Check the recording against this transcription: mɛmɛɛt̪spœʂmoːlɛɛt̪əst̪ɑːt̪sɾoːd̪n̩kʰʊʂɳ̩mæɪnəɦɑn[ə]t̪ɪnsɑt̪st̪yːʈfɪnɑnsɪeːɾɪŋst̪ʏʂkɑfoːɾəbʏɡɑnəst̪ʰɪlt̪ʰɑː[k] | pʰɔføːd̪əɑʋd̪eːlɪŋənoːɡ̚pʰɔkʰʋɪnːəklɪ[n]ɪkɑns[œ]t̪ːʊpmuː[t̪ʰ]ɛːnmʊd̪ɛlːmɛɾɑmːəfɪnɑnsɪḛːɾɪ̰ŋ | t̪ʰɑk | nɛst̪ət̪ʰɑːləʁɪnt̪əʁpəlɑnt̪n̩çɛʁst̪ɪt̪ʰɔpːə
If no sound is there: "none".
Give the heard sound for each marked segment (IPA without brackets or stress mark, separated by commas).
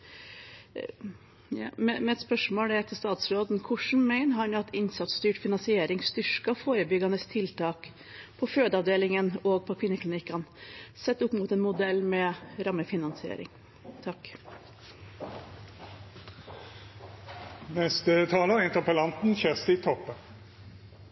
ɑ, k, n, ɛ, t̪